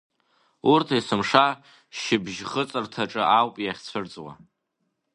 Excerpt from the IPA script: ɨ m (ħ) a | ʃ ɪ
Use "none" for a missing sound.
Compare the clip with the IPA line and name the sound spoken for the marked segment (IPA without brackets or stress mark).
ʂ